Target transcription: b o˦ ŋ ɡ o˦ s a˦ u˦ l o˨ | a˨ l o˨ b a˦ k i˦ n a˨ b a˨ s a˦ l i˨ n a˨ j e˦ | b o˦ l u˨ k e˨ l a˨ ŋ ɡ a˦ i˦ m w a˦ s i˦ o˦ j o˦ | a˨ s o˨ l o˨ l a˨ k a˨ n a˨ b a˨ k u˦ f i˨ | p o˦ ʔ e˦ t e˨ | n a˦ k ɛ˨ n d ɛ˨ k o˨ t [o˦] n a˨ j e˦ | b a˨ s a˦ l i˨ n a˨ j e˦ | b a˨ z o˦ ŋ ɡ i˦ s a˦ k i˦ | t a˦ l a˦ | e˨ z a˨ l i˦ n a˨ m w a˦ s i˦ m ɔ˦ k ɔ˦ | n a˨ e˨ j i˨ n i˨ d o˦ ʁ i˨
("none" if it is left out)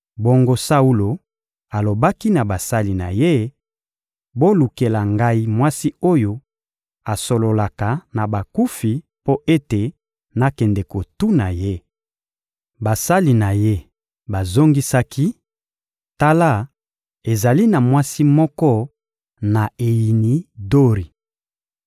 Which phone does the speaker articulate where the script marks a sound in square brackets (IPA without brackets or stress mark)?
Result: u˦